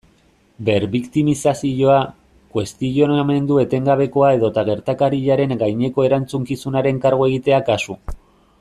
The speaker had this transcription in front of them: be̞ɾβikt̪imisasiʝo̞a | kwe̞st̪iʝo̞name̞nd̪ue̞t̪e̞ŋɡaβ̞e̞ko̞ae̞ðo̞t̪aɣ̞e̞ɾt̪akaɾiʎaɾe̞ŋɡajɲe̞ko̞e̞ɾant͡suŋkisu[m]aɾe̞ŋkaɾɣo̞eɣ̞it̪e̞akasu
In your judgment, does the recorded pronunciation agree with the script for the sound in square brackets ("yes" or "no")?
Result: no